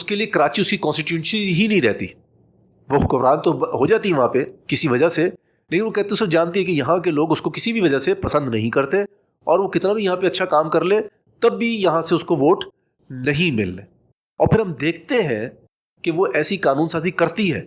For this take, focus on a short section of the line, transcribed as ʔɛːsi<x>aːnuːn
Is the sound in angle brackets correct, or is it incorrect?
incorrect